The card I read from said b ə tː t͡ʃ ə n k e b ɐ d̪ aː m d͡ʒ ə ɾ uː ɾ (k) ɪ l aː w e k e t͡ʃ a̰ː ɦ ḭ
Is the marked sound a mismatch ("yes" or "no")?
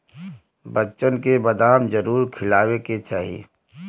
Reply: yes